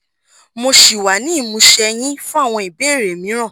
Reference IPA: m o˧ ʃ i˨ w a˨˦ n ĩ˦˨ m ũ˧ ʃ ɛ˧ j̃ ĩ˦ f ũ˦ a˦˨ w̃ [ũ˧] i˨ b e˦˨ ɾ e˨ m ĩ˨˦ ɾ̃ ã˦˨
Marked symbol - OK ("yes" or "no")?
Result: no